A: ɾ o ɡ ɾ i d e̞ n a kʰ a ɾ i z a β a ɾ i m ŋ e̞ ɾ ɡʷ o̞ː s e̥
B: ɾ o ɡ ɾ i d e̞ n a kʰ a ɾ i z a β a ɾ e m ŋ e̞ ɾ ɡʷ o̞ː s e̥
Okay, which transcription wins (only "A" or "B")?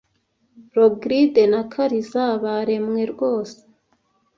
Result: B